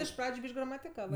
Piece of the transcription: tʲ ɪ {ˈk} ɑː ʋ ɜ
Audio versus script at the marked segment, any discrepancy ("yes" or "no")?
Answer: no